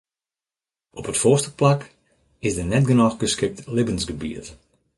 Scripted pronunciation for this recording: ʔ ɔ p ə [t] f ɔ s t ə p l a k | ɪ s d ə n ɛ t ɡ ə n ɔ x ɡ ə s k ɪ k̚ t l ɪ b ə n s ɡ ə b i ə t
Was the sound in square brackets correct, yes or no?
yes